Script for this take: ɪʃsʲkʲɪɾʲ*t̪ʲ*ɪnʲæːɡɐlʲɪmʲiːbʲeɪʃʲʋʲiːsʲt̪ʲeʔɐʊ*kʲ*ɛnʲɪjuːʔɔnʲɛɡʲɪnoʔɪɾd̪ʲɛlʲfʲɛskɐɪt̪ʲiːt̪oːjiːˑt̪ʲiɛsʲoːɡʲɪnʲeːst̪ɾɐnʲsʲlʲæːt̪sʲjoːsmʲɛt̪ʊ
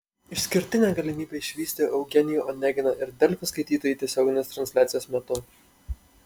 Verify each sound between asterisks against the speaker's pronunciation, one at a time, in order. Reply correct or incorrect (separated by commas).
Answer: correct, incorrect